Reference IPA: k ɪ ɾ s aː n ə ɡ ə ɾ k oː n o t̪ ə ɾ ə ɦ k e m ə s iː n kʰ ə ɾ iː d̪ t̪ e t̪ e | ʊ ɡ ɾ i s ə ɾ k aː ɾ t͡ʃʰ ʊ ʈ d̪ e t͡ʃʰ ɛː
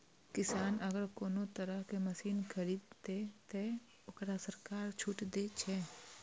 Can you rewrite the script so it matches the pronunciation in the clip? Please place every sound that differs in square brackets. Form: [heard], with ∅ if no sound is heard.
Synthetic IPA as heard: k ɪ [∅] s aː n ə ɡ ə ɾ k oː n o t̪ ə ɾ ə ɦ k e m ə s iː n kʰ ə ɾ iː d̪ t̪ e t̪ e | ʊ [k] ɾ [a] s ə ɾ k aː ɾ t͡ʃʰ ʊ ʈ d̪ e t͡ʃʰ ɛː